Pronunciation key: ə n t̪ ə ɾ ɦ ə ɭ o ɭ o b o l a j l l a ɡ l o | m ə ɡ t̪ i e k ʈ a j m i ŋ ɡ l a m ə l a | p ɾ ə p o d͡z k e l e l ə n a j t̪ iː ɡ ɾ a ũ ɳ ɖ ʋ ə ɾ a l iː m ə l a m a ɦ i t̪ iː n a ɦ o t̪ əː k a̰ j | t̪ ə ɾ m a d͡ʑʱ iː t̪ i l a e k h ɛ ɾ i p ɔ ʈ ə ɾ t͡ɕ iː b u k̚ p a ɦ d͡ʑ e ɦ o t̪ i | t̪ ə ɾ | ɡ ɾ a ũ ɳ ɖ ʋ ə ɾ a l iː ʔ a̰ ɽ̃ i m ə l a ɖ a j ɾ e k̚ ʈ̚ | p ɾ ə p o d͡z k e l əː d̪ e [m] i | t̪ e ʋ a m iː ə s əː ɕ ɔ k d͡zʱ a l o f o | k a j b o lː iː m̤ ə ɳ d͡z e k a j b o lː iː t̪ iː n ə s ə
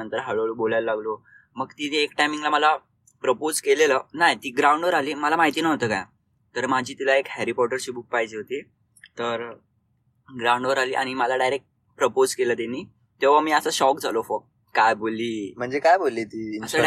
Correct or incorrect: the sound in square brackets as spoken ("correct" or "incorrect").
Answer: incorrect